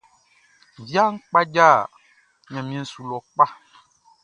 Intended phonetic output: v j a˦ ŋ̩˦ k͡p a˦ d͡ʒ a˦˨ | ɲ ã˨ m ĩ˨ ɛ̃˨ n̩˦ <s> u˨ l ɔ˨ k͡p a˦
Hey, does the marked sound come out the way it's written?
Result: yes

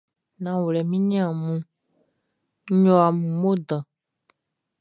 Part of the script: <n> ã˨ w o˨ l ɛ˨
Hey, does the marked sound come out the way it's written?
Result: yes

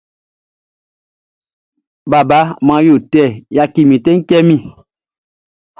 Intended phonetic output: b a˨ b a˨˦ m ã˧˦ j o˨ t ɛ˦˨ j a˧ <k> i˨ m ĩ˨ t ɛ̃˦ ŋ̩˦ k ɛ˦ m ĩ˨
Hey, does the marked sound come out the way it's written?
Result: yes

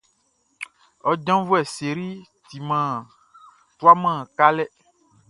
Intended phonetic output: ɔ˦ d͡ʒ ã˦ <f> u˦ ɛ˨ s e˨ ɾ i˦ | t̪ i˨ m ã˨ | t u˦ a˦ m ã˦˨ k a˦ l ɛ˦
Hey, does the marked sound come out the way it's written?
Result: no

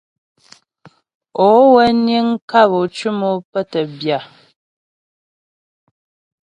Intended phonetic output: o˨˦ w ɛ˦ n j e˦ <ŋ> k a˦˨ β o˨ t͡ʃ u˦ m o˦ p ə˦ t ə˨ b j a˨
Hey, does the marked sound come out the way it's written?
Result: yes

